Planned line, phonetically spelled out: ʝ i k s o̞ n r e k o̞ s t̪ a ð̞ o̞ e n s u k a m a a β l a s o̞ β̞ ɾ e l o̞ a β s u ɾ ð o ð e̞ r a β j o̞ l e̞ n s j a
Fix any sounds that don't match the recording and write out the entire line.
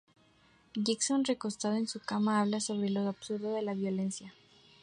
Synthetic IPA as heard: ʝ i k s o̞ n r e k o̞ s t̪ a ð̞ o̞ e n s u k a m a a β l a s o̞ β̞ ɾ e l o̞ a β s u ɾ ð o ð e̞ l a β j o̞ l e̞ n s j a